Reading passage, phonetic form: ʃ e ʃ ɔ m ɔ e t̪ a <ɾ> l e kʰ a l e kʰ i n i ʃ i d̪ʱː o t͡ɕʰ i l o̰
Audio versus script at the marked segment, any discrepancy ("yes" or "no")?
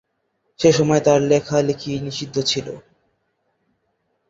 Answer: no